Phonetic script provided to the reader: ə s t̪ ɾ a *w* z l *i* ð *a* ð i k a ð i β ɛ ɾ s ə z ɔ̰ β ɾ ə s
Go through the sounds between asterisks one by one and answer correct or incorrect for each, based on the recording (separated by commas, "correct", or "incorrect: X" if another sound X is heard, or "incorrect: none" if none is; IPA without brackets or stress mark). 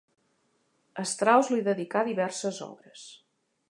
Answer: correct, correct, incorrect: ə